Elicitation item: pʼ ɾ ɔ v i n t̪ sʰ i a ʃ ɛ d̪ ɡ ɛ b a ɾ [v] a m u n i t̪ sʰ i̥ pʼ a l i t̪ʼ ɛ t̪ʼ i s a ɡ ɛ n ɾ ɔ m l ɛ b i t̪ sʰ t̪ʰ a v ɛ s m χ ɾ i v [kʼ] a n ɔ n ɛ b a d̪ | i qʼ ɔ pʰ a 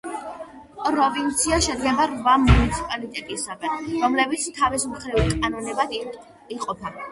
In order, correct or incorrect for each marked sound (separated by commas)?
correct, correct